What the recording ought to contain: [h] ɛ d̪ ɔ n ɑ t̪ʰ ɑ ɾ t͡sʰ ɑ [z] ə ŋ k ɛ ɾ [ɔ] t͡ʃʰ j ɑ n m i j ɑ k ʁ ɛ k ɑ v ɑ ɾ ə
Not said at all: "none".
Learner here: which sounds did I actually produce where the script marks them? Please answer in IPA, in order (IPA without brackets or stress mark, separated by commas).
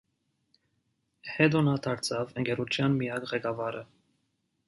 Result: h, v, u